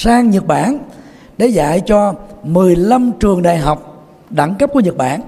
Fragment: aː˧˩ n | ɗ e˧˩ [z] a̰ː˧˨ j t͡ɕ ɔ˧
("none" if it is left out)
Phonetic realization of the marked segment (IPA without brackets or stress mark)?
z